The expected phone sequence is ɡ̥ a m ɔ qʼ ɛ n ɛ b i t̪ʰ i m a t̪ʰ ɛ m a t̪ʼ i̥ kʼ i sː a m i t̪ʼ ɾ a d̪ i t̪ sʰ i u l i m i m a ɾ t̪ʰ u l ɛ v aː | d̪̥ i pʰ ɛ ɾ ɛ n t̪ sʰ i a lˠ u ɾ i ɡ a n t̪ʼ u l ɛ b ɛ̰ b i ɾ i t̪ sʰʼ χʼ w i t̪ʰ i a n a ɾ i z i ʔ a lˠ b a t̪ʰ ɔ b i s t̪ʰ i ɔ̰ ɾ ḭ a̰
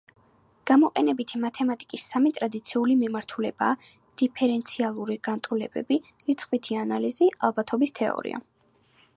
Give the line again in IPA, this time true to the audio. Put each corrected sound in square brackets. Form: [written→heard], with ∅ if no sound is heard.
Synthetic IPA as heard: ɡ̥ a m ɔ qʼ ɛ n ɛ b i t̪ʰ i m a t̪ʰ ɛ m a t̪ʼ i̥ kʼ i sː a m i t̪ʼ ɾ a d̪ i t̪ sʰ i u l i m i m a ɾ t̪ʰ u l ɛ [v→b] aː | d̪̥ i pʰ ɛ ɾ ɛ n t̪ sʰ i a lˠ u ɾ i ɡ a n t̪ʼ u l ɛ b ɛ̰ b i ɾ i t̪ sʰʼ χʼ w i t̪ʰ i a n a [ɾ→l] i z i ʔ a lˠ b a t̪ʰ ɔ b i s t̪ʰ [i→ɛ] ɔ̰ ɾ ḭ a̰